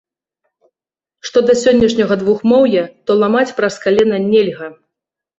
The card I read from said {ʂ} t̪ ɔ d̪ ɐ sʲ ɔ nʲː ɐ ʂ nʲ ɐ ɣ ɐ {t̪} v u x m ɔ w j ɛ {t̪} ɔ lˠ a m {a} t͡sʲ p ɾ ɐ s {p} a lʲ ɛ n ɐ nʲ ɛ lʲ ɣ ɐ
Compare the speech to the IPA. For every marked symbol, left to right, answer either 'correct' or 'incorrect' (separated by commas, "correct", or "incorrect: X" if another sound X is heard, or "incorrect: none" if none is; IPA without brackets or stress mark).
correct, incorrect: d̪, correct, correct, incorrect: k